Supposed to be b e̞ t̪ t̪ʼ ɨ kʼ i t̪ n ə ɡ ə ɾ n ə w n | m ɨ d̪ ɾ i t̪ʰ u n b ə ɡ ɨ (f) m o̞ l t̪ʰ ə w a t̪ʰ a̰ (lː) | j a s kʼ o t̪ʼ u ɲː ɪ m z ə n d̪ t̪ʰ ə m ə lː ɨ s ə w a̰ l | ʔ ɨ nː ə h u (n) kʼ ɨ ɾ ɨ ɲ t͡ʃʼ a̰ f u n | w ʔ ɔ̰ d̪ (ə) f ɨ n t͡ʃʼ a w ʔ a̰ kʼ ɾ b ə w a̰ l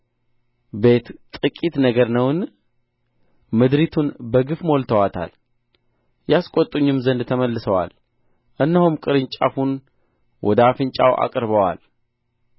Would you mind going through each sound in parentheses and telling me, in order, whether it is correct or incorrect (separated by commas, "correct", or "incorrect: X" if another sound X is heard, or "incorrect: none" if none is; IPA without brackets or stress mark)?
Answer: correct, incorrect: l, incorrect: m, incorrect: a